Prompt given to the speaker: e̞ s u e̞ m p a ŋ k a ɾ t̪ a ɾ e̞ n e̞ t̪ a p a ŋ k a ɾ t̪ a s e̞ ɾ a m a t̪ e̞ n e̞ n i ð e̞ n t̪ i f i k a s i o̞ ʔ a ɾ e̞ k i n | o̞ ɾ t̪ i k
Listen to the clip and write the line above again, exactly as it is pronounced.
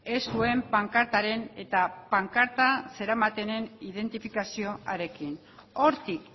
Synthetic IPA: e̞ s u e̞ m p a ŋ k a ɾ t̪ a ɾ e̞ n e̞ t̪ a p a ŋ k a ɾ t̪ a s e̞ ɾ a m a t̪ e̞ n e̞ n i ð e̞ n t̪ i f i k a s i o̞ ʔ a ɾ e̞ k i n | o̞ ɾ t̪ i k